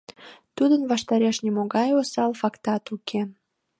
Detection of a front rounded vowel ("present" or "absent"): absent